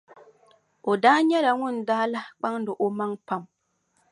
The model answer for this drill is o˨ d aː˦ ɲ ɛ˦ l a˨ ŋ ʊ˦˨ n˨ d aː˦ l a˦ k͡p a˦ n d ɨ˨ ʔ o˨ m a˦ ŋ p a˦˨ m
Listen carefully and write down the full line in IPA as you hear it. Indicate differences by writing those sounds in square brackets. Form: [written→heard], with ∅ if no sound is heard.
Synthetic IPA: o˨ d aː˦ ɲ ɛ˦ l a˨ ŋ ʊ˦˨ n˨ d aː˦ l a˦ k͡p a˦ [n→ŋ] d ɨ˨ ʔ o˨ m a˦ ŋ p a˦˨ m

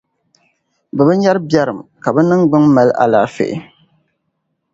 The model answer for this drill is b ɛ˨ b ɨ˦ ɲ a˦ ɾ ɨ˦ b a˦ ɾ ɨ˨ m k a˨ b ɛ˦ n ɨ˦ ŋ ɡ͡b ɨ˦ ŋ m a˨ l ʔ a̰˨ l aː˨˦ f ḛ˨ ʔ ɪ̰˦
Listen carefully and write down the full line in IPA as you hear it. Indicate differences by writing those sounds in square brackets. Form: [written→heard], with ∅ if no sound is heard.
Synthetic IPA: b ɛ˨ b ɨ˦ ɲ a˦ ɾ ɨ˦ b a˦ ɾ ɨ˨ m k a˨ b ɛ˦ n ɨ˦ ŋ ɡ͡b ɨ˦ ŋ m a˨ l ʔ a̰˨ l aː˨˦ f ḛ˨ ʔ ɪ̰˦

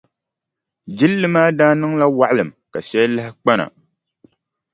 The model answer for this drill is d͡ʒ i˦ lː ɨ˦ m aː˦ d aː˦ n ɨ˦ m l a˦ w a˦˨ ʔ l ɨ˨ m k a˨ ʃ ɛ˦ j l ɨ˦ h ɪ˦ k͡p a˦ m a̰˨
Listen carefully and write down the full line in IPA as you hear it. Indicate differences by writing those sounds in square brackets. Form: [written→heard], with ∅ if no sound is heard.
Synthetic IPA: d͡ʒ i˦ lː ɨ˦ m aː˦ d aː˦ n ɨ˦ [m→ŋ] l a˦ w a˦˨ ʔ l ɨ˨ m k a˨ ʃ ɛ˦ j l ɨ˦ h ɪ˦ k͡p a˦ [m→n] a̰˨

